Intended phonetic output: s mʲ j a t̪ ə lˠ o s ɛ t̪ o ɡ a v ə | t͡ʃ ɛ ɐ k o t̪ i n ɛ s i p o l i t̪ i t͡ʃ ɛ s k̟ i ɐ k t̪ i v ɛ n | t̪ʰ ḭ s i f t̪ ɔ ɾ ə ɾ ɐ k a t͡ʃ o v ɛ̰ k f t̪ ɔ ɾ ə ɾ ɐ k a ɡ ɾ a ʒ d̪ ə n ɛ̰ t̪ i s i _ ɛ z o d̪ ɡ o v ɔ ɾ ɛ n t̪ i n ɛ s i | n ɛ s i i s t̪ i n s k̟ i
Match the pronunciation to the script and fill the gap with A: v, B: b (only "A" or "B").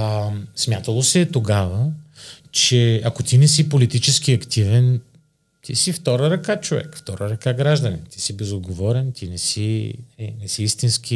B